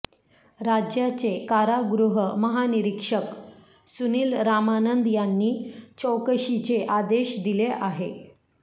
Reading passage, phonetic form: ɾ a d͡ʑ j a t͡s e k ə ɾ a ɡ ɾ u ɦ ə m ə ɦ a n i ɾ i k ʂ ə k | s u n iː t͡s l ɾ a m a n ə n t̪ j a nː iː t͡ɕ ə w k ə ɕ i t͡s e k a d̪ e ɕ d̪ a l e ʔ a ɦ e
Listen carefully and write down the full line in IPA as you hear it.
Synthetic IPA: ɾ a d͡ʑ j a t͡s e k a ɾ a ɡ ɾ u ɦ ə m ə ɦ a n i ɾ i k ʂ ə k | s u n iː l ɾ a m a n ə n d̪ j a nː iː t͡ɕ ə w k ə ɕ i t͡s e ʔ a d̪ e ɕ d̪ i l e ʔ a ɦ e